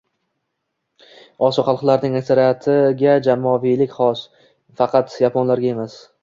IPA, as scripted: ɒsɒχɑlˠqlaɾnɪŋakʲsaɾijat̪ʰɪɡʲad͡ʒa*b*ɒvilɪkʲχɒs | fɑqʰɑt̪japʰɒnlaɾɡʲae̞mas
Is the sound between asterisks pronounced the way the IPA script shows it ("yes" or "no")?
no